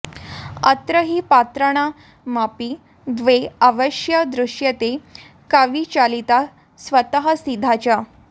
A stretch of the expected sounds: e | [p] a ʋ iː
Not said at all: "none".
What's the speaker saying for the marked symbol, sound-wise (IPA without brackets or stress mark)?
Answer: k